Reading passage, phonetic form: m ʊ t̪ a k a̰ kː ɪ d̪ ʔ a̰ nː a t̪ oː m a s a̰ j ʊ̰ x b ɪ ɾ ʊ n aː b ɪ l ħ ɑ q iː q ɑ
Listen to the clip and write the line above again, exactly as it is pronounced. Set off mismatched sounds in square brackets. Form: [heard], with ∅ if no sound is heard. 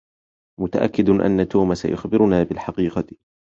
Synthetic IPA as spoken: m ʊ t̪ a [ʔ] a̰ kː ɪ d̪ ʔ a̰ nː a t̪ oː m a s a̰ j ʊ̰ x b ɪ ɾ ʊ n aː b ɪ l ħ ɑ q iː q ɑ